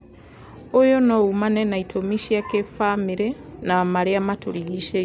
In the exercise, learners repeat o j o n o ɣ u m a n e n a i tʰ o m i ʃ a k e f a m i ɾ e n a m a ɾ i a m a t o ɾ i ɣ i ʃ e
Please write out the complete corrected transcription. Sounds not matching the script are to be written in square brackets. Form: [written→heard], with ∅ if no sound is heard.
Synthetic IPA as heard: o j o n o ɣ u m a n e n a i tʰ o m i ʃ a k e f a m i ɾ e n a m a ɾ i a m a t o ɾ i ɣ i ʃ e